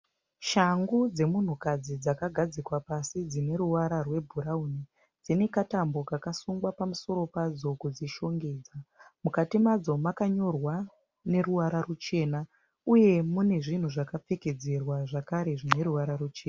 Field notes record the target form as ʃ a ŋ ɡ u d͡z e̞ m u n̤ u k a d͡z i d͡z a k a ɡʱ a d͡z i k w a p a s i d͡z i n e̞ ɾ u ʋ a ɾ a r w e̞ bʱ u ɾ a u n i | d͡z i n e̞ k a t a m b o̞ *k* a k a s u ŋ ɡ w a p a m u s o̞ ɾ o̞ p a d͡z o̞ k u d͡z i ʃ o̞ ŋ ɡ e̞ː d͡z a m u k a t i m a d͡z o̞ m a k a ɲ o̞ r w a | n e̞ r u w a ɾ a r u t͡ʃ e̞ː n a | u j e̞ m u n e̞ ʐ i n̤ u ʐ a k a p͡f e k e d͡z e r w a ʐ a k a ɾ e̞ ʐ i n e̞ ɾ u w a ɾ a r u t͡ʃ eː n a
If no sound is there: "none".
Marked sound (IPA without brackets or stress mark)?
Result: k